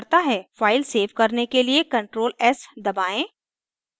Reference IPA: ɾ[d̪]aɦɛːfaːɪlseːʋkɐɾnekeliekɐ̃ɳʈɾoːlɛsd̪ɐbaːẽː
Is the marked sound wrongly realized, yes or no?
yes